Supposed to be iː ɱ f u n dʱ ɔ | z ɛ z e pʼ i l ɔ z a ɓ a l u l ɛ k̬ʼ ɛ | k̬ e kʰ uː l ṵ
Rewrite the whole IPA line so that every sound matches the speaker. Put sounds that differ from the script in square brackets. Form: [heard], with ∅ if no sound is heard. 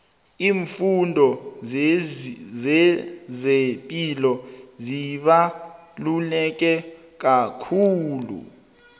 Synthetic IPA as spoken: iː ɱ f u n dʱ ɔ | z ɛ z e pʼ i l ɔ z [i] ɓ a l u l ɛ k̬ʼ ɛ | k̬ [a] kʰ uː l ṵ

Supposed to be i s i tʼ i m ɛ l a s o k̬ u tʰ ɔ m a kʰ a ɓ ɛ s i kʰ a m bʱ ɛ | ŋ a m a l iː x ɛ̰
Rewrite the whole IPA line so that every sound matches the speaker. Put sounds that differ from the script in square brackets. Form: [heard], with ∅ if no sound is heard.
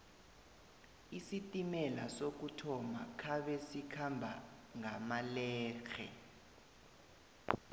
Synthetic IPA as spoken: i s i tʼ i m ɛ l a s o k̬ u tʰ ɔ m a kʰ a ɓ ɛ s i kʰ a m bʱ [a] | ŋ a m a l [ɛː] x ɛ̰

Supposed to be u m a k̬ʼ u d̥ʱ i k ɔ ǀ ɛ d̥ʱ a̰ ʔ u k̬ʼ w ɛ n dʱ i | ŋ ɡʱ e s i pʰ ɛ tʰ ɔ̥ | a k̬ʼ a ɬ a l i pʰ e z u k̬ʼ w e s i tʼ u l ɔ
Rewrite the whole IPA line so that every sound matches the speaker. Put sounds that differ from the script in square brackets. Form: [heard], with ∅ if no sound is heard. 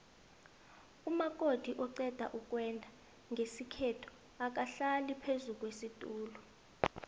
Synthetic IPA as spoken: u m a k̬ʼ [o] d̥ʱ i [ʔ] ɔ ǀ ɛ d̥ʱ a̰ ʔ u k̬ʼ w ɛ n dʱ [a] | ŋ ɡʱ e s i [kʰ] ɛ tʰ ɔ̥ | a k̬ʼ a ɬ a l i pʰ e z u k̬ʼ w e s i tʼ [uː] l ɔ

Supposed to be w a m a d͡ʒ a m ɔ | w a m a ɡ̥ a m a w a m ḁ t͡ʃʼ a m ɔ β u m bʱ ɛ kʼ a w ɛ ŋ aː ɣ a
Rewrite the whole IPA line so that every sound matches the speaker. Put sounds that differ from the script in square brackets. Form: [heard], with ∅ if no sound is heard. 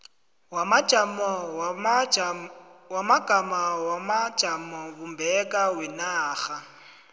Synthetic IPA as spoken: w a m a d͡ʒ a m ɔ | w a m a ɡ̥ a m a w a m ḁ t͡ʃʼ a m ɔ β u m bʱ ɛ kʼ a w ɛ [n] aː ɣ a

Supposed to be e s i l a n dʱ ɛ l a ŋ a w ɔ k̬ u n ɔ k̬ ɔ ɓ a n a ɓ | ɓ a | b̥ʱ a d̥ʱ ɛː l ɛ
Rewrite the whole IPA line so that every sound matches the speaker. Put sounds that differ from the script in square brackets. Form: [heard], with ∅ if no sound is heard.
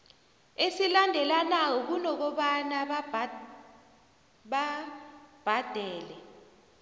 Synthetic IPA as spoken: e s i l a n dʱ ɛ l a [n] a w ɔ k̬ u n ɔ k̬ ɔ ɓ a n a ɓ | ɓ a | b̥ʱ a d̥ʱ ɛː l ɛ

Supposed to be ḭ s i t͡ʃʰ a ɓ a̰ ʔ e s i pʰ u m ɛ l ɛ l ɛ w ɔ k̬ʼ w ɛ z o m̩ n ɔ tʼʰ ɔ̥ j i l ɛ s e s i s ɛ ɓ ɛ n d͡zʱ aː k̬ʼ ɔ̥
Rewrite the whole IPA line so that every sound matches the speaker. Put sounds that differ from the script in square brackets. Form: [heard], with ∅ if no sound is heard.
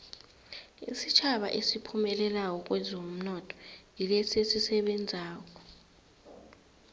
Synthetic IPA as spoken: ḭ s i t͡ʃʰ a ɓ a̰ ʔ e s i pʰ u m ɛ l ɛ l [a] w ɔ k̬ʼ w ɛ z o m̩ n ɔ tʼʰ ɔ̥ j i l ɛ s e s i s ɛ ɓ ɛ n d͡zʱ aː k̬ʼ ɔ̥

